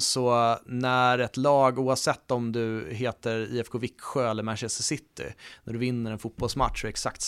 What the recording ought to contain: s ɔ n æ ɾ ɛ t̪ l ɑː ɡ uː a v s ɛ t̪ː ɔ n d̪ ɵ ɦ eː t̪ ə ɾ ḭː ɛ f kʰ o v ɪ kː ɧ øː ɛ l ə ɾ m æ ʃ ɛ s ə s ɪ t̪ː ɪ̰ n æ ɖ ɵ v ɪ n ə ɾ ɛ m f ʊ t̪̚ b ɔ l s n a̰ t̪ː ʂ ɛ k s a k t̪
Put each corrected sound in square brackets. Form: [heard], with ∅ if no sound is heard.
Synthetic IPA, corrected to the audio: s ɔ n æ ɾ ɛ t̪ l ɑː ɡ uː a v s ɛ t̪ː ɔ [m] d̪ ɵ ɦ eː t̪ ə ɾ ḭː ɛ f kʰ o v ɪ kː ɧ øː ɛ [lː] ə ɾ m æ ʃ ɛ s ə s ɪ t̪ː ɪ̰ n æ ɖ ɵ v ɪ [nː] ə ɾ ɛ [n] f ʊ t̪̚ b ɔ l s [m] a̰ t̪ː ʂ ɛ k s a k t̪